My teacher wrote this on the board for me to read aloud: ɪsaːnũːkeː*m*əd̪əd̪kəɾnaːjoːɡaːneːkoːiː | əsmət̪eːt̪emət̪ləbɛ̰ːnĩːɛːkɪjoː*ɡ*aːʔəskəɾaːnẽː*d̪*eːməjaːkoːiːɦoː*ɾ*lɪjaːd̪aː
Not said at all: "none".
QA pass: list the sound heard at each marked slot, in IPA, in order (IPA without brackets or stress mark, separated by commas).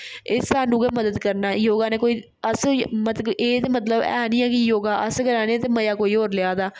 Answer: m, ɡ, t̪, ɾ